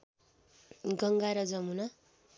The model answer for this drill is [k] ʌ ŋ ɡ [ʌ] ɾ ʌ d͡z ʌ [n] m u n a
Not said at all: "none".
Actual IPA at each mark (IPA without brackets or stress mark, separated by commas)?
ɡ, a, none